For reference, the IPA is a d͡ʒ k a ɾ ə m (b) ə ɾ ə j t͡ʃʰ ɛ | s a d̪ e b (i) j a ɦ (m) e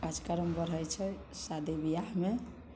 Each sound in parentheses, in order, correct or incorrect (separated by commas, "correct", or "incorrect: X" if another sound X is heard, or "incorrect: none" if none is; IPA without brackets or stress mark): correct, correct, correct